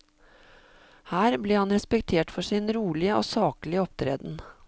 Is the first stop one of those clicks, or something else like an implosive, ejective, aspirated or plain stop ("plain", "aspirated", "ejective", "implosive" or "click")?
plain